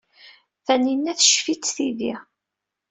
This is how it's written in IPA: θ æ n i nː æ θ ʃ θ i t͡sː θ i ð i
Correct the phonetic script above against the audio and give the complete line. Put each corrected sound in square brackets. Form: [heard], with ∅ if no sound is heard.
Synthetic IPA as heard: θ æ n i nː æ θ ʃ [f] i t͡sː θ i ð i